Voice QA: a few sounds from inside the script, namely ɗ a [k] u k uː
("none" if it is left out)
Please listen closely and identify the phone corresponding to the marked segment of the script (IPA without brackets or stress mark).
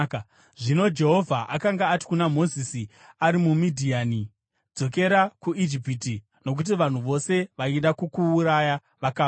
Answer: k